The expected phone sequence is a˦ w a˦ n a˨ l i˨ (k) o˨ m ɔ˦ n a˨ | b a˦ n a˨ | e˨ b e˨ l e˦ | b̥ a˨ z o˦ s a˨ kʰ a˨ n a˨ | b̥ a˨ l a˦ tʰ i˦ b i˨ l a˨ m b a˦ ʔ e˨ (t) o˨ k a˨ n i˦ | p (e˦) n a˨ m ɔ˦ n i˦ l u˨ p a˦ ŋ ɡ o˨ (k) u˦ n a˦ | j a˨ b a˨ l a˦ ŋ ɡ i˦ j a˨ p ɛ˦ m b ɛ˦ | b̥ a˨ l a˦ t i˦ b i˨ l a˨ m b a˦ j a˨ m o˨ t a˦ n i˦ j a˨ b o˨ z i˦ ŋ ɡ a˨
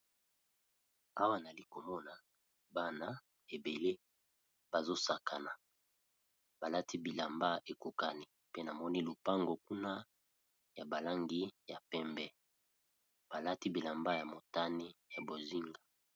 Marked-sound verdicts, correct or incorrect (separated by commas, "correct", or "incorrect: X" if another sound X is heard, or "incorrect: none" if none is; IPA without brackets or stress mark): correct, incorrect: k, correct, correct